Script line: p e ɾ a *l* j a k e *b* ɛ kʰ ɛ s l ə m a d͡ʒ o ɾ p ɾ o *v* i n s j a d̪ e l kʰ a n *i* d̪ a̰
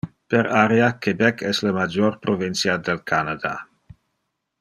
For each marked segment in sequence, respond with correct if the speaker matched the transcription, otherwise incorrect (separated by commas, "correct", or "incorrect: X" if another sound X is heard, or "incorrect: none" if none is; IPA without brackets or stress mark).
incorrect: ɾ, correct, correct, incorrect: a